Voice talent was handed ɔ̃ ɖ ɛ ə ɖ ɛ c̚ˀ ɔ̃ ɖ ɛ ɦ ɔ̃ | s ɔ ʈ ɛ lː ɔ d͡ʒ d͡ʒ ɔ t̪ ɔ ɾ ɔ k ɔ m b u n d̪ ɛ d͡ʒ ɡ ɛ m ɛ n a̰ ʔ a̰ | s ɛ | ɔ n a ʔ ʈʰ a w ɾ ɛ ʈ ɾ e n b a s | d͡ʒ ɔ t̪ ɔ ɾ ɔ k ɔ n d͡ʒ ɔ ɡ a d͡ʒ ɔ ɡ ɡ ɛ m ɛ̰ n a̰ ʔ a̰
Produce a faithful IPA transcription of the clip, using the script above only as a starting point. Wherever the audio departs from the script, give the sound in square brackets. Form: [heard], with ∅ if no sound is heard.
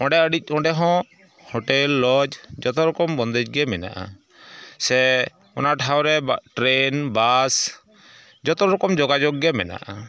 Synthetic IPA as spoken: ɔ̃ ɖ ɛ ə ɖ [i] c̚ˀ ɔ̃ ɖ ɛ ɦ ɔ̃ | [h] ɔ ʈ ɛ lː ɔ d͡ʒ d͡ʒ ɔ t̪ ɔ ɾ ɔ k ɔ m b [ɔ] n d̪ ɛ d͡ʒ ɡ ɛ m ɛ n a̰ ʔ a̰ | s ɛ | ɔ n a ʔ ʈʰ a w ɾ ɛ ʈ ɾ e n b a s | d͡ʒ ɔ t̪ ɔ ɾ ɔ k ɔ [m] d͡ʒ ɔ ɡ a d͡ʒ ɔ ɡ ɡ ɛ m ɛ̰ n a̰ ʔ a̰

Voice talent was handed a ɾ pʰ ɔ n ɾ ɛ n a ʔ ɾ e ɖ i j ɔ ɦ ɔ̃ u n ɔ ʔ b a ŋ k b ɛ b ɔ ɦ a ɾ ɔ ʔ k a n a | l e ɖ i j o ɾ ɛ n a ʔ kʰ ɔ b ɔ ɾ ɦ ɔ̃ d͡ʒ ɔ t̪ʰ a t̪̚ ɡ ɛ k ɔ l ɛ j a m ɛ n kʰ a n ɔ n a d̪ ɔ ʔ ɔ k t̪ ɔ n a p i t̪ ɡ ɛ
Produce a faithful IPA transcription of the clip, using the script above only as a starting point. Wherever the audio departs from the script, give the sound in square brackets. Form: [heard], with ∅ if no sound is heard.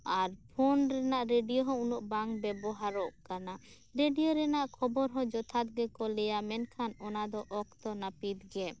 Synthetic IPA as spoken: a ɾ pʰ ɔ n ɾ ɛ n a ʔ ɾ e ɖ i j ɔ ɦ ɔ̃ u n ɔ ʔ b a ŋ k b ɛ b ɔ ɦ a ɾ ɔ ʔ k a n a | [ɾ] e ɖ i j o ɾ ɛ n a ʔ kʰ ɔ b ɔ ɾ ɦ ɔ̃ d͡ʒ ɔ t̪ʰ a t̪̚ ɡ ɛ k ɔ l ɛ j a m ɛ n kʰ a n ɔ n a d̪ ɔ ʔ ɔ k t̪ ɔ n a p i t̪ ɡ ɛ

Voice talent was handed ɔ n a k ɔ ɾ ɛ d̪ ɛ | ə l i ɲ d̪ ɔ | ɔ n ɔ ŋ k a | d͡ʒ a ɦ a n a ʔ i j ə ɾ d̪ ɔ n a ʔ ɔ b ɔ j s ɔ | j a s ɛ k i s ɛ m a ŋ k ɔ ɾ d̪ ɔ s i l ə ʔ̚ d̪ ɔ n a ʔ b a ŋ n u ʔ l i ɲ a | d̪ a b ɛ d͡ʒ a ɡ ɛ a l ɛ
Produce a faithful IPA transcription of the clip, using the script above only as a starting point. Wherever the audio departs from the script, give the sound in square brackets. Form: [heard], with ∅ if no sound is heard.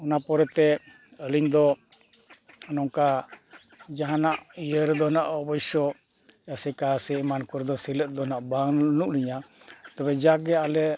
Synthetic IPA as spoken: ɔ n a [p] ɔ ɾ ɛ [t̪] ɛ | ə l i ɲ d̪ ɔ | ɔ n ɔ ŋ k a | d͡ʒ a ɦ a n a ʔ i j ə ɾ d̪ ɔ n a ʔ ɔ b ɔ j s ɔ | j a s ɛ k [a] s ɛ m a [n] k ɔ ɾ d̪ ɔ s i l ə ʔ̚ d̪ ɔ n a ʔ b a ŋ n u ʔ l i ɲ a | [t̪] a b ɛ d͡ʒ a ɡ ɛ a l ɛ

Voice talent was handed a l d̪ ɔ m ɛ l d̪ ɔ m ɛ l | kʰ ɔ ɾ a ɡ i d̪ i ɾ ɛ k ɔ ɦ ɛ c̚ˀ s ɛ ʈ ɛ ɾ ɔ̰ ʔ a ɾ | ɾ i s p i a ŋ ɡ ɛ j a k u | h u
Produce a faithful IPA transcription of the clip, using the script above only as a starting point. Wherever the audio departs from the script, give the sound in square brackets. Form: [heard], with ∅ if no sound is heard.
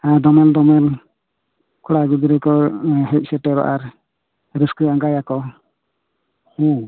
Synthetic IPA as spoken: a [∅] d̪ ɔ m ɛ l d̪ ɔ m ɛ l | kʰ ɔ [ɽ] a ɡ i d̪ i ɾ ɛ k ɔ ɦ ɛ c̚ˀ s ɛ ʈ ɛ ɾ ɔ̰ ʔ a ɾ | ɾ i s [k] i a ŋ ɡ [a] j a k [ɔ] | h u

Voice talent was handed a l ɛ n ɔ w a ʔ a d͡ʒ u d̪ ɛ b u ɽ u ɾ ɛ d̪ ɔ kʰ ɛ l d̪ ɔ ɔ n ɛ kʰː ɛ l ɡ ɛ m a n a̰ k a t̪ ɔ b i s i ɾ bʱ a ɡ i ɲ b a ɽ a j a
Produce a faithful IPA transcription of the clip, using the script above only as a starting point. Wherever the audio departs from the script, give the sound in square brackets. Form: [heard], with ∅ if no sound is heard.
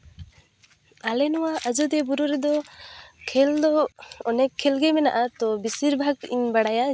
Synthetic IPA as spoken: a l ɛ n ɔ w a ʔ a d͡ʒ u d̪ ɛ b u [ɾ] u ɾ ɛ d̪ ɔ kʰ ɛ l d̪ ɔ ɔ n ɛ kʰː ɛ l ɡ ɛ m [ɛ] n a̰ [ʔ] a t̪ ɔ b i s i ɾ bʱ a ɡ i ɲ b a ɽ a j a

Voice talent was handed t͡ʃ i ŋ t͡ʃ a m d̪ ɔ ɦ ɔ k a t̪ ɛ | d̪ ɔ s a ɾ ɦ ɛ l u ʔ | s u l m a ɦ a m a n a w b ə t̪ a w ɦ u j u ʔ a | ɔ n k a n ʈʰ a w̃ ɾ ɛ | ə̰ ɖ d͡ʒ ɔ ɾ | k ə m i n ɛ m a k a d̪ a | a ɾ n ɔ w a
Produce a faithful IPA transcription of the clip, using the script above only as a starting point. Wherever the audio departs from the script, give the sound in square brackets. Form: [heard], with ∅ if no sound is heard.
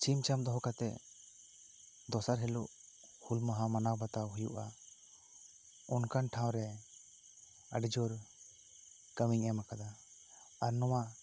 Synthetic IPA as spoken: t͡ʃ i [m] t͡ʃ a m d̪ ɔ ɦ ɔ k a t̪ ɛ | d̪ ɔ s a ɾ ɦ ɛ l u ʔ | [h] u l m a ɦ a m a n a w b [a] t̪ a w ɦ u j u ʔ a | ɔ n k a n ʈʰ a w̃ ɾ ɛ | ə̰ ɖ d͡ʒ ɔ ɾ | k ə m i [ŋ] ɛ m a k a d̪ a | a ɾ n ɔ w a

